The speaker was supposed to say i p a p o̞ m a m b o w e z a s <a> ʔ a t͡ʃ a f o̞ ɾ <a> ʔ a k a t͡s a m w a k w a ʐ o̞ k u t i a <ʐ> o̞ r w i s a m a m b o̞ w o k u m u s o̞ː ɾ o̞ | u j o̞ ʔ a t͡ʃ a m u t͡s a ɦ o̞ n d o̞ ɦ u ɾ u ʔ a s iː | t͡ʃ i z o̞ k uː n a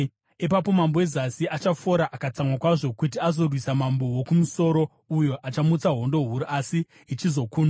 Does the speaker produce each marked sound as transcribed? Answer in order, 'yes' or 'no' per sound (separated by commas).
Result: no, yes, no